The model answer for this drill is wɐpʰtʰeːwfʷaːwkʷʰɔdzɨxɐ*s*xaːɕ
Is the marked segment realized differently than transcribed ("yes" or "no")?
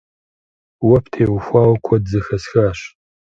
no